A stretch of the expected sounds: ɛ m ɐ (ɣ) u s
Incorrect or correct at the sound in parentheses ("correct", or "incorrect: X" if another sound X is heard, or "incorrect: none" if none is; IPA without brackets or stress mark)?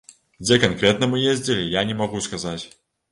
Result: correct